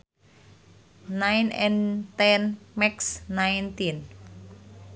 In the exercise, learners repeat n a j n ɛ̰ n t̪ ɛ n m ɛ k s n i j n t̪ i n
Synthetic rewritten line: n a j n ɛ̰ n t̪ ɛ n m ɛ k s n a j n t̪ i n